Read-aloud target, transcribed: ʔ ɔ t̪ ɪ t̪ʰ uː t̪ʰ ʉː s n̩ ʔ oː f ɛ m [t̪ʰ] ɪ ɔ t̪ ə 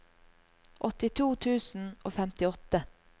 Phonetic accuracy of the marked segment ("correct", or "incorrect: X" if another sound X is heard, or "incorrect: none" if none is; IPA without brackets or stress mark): incorrect: t̪